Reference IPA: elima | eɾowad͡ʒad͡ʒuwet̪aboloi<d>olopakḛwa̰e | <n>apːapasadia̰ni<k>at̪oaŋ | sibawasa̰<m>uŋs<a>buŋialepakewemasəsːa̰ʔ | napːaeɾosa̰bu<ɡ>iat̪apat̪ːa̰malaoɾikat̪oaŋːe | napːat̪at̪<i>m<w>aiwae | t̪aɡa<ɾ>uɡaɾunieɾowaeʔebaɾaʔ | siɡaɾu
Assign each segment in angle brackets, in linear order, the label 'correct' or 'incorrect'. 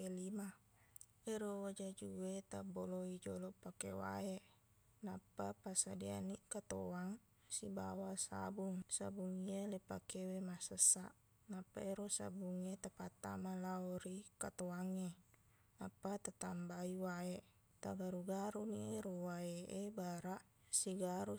incorrect, correct, correct, incorrect, correct, incorrect, incorrect, incorrect, correct

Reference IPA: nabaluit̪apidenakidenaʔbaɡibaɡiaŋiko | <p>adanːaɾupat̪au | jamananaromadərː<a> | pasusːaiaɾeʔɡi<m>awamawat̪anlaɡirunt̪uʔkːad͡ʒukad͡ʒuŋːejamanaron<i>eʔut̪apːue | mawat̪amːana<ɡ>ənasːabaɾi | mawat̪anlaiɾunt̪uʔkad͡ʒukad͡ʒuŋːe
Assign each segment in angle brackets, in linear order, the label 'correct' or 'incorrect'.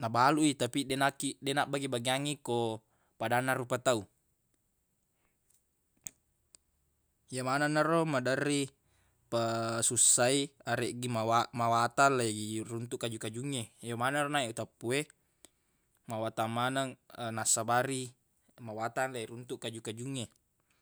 correct, incorrect, correct, incorrect, incorrect

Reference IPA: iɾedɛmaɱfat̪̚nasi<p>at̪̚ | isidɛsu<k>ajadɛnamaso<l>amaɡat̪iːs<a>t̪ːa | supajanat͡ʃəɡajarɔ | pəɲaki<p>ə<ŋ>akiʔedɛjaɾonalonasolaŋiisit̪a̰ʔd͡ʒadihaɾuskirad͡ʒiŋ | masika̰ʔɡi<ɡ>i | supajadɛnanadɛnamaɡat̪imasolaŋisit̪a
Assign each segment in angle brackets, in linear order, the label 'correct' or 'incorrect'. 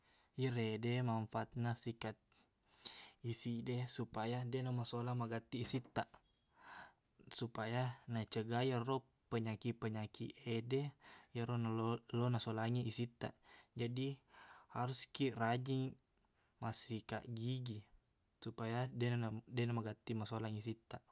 incorrect, incorrect, correct, incorrect, correct, incorrect, correct

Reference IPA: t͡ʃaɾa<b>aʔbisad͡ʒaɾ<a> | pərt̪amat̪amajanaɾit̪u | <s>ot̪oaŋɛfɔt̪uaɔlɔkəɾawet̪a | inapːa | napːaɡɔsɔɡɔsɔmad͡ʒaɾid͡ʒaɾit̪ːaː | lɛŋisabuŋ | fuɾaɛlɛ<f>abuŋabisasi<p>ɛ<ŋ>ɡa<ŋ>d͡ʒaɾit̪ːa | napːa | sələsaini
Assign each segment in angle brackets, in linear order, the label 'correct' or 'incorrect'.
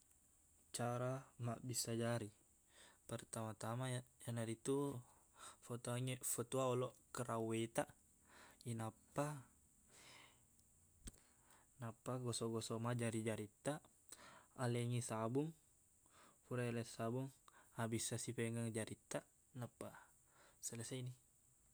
incorrect, incorrect, incorrect, incorrect, correct, correct, correct

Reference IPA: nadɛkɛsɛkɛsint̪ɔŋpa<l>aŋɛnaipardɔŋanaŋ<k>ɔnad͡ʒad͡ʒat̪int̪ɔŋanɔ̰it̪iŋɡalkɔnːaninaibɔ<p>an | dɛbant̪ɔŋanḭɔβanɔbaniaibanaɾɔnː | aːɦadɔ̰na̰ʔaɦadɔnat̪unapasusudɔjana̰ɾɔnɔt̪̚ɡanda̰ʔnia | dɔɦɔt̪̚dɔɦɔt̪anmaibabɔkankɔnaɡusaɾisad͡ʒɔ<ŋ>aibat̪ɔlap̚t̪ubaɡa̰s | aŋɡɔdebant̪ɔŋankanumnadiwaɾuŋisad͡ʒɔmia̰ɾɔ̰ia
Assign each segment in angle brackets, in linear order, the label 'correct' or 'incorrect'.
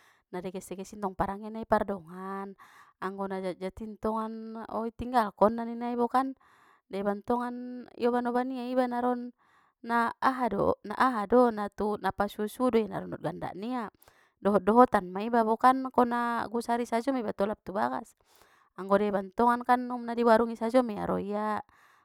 incorrect, incorrect, incorrect, incorrect

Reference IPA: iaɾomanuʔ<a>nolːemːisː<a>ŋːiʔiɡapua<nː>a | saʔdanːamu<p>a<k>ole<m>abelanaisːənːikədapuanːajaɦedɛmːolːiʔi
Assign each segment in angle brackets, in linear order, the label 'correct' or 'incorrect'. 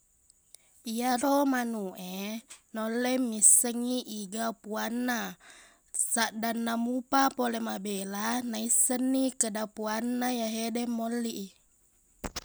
incorrect, incorrect, correct, correct, incorrect, correct

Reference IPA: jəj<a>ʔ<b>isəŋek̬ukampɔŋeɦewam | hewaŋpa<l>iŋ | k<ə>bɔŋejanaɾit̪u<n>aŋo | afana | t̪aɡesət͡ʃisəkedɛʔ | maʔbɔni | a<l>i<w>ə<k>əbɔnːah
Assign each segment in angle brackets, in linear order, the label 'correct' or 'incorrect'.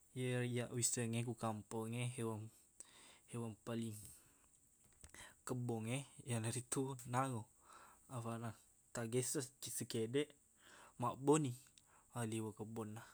correct, incorrect, correct, correct, correct, correct, correct, correct

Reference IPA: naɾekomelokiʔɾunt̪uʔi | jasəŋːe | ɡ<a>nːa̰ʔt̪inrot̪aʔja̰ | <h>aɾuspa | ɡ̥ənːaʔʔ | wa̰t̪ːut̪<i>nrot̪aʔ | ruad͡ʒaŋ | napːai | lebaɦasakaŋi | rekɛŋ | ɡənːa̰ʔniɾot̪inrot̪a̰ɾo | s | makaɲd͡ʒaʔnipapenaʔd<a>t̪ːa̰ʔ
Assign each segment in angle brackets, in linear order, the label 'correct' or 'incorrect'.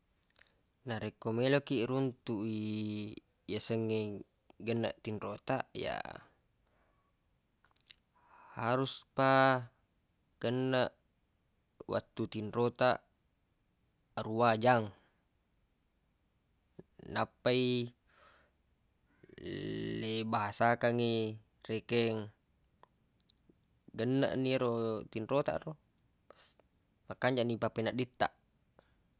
incorrect, correct, correct, incorrect

